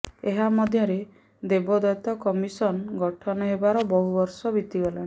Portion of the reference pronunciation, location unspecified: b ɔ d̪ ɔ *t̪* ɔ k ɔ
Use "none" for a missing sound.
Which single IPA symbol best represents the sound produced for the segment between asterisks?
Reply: t̪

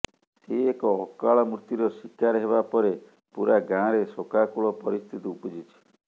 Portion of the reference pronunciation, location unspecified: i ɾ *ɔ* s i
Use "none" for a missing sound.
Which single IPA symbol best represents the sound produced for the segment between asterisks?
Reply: ɔ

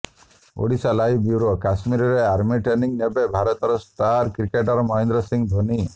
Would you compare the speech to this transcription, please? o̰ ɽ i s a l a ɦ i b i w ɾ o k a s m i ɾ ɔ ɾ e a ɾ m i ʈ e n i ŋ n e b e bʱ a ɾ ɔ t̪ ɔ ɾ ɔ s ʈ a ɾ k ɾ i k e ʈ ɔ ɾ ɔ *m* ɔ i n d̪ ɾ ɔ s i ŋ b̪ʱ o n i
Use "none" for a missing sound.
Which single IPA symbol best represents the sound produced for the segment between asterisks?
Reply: m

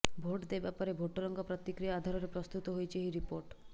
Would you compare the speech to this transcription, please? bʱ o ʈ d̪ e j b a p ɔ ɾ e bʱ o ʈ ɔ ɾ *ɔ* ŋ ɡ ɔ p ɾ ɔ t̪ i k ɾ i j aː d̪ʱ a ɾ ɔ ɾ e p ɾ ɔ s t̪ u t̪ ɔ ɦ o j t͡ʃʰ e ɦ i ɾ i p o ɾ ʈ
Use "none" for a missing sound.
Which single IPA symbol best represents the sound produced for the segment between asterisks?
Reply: ɔ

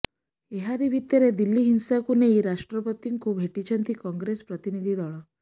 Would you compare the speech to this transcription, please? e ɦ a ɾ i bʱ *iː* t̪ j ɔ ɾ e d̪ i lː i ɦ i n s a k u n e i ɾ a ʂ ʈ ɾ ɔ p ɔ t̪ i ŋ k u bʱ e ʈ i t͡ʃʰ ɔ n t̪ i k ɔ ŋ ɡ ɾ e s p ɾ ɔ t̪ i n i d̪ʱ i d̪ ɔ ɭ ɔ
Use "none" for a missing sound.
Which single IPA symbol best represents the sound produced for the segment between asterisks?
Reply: i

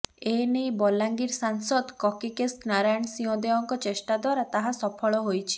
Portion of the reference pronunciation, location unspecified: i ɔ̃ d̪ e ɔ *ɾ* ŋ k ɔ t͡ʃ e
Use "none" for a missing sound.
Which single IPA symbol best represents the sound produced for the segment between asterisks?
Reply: none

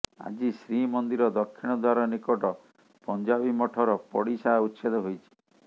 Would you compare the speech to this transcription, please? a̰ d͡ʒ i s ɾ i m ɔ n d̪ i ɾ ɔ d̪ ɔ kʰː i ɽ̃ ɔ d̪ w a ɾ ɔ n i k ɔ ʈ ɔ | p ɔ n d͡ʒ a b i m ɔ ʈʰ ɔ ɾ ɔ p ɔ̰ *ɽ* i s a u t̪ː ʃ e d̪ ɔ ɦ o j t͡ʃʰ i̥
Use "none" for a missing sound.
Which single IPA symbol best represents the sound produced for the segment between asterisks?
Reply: ɽ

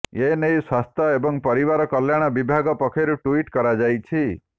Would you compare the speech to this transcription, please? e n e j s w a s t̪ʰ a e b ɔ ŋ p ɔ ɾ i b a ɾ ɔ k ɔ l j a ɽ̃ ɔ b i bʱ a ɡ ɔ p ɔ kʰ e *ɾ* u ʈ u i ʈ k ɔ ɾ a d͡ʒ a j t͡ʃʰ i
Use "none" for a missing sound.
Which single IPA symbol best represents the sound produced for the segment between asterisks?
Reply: ɾ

